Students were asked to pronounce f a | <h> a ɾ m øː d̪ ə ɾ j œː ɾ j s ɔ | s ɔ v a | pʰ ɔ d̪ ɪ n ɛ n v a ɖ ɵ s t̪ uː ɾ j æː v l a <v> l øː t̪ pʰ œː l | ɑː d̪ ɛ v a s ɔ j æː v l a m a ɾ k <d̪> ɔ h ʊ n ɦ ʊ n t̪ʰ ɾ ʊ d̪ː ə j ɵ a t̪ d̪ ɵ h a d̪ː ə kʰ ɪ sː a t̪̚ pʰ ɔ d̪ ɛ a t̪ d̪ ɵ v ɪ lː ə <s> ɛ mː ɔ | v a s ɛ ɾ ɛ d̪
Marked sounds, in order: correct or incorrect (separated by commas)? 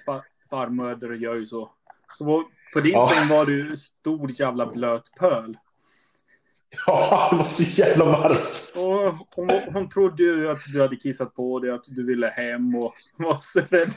incorrect, incorrect, incorrect, incorrect